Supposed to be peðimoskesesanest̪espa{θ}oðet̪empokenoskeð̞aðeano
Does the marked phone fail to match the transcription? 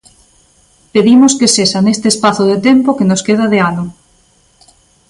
no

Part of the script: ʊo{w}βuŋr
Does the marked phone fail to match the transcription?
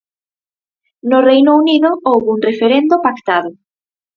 no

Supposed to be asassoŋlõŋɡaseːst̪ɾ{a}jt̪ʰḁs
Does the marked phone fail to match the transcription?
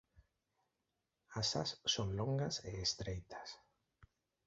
yes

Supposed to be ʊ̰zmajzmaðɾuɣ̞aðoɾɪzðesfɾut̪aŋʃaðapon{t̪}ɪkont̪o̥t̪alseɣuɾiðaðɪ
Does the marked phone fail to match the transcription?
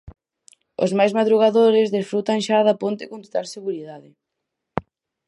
no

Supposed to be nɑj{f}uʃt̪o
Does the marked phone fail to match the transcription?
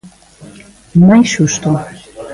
yes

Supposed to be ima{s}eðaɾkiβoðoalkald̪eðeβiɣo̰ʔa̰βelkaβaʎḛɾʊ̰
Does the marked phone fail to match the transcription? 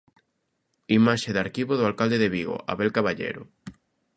yes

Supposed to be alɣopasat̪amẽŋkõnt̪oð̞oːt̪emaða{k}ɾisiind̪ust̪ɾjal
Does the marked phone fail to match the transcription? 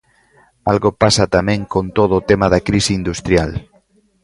no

